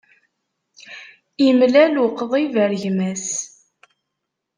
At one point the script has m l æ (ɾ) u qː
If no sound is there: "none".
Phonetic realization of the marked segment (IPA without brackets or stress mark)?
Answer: l